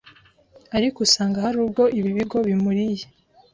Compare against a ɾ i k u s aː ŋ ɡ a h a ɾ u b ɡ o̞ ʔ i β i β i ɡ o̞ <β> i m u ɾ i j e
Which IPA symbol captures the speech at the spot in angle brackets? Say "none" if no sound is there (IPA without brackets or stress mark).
β